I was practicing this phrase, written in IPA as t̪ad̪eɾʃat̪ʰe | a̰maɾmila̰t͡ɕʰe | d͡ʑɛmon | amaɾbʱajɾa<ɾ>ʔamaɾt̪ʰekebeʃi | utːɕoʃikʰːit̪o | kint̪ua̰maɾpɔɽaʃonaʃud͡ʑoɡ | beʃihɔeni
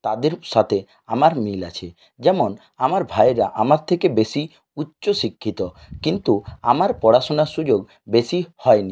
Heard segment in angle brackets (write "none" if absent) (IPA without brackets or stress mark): none